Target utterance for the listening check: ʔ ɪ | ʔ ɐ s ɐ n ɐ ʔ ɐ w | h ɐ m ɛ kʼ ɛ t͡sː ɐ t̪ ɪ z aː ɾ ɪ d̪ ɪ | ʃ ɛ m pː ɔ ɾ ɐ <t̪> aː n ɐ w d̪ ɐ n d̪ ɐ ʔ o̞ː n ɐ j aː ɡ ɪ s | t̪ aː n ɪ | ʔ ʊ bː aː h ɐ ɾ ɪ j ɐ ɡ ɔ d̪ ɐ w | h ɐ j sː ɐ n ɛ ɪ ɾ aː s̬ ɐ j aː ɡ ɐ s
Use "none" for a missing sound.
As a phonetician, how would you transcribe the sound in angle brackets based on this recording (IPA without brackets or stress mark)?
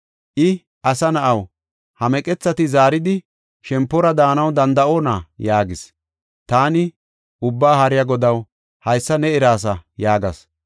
d̪